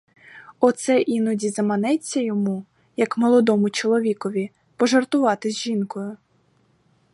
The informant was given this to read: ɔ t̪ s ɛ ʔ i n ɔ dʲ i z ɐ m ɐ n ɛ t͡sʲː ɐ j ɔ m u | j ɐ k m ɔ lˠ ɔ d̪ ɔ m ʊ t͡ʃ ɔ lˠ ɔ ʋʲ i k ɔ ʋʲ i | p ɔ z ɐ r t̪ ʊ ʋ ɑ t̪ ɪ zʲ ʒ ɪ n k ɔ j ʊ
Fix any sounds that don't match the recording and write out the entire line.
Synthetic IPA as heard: ɔ t̪ s ɛ ʔ i n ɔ dʲ i z ɐ m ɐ n ɛ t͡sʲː ɐ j ɔ m u | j ɐ k m ɔ lˠ ɔ d̪ ɔ m ʊ t͡ʃ ɔ lˠ ɔ ʋʲ i k ɔ ʋʲ i | p ɔ ʒ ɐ r t̪ ʊ ʋ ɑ t̪ ɪ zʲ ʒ i n k ɔ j ʊ